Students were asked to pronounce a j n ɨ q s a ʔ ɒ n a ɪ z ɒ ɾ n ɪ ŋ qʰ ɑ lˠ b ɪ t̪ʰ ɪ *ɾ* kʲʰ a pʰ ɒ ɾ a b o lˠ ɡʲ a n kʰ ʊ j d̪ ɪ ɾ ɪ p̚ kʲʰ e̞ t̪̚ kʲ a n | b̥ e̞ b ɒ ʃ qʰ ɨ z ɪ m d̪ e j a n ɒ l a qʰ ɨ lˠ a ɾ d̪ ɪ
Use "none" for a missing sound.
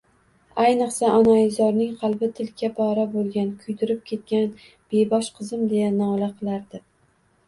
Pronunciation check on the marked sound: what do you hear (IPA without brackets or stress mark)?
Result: l